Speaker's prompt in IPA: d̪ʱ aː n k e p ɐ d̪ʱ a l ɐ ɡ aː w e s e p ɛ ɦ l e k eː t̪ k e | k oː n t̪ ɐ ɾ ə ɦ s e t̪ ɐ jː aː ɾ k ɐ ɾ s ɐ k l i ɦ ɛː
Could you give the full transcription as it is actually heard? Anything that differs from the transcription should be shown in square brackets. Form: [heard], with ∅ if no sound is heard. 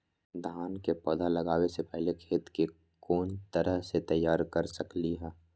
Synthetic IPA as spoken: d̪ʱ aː n k e p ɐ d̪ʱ a l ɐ ɡ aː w e s e p ɛ ɦ l e [kʰ] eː t̪ k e | k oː n t̪ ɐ ɾ ə ɦ s e t̪ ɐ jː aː ɾ k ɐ ɾ s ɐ k l i ɦ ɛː